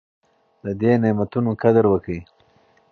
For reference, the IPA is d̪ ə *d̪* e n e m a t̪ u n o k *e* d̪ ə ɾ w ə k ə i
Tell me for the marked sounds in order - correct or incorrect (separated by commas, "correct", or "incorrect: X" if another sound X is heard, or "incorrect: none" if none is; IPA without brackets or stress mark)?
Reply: correct, incorrect: a